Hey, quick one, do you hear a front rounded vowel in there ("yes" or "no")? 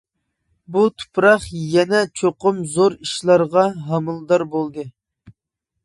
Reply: no